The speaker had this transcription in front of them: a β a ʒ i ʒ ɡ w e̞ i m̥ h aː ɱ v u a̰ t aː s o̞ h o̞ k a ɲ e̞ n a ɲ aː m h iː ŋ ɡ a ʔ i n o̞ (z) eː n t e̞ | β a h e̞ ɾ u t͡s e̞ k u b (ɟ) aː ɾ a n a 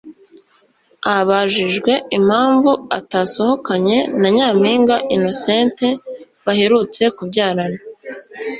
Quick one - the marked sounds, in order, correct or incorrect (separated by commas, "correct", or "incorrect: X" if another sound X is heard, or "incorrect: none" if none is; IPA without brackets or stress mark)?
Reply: incorrect: s, correct